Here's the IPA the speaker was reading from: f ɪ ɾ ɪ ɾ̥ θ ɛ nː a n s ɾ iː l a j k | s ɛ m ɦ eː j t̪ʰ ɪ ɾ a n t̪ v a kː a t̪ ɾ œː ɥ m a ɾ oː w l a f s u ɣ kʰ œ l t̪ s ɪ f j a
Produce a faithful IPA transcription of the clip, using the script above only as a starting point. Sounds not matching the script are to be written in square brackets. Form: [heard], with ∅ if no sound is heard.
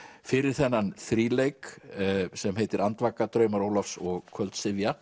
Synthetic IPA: f ɪ ɾ ɪ ɾ̥ θ ɛ nː a n [θ] ɾ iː l [e] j k | s ɛ m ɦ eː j [t̪] ɪ ɾ a n t̪ v a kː a t̪ ɾ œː ɥ m a ɾ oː w l a f s [ɔ] ɣ kʰ œ l t̪ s ɪ [v] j a